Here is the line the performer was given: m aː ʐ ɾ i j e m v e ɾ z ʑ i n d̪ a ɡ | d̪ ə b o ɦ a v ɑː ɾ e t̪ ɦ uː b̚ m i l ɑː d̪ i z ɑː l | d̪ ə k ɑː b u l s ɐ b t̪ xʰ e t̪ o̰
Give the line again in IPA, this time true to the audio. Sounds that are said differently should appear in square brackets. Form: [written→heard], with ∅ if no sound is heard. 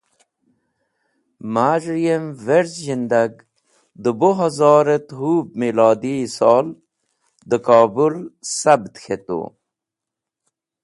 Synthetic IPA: m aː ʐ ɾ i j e m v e ɾ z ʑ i n d̪ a ɡ | d̪ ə b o ɦ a [v→z] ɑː ɾ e t̪ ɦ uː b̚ m i l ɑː d̪ i [z→s] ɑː l | d̪ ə k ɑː b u l s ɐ b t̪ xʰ e t̪ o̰